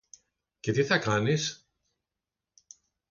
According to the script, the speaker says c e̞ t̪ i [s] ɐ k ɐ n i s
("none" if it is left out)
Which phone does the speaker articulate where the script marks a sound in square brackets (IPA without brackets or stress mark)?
θ